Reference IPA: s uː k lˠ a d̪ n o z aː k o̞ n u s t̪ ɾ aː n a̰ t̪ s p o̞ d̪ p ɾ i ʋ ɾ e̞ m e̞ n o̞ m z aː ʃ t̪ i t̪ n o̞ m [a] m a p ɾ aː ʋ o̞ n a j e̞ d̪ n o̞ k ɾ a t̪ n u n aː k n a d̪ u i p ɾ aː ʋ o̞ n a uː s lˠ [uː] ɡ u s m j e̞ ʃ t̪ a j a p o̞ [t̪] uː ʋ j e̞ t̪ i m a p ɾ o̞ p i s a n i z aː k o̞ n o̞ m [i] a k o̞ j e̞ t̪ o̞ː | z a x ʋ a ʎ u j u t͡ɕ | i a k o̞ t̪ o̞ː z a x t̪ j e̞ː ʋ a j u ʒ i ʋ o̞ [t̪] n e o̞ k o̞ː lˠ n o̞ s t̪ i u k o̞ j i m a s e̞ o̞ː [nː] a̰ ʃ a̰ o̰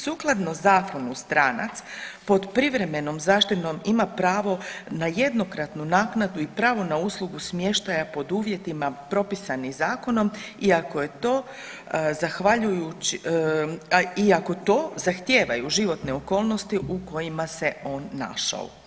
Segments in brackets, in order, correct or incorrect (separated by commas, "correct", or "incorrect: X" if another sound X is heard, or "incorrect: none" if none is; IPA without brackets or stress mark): incorrect: i, incorrect: u, incorrect: d̪, correct, correct, correct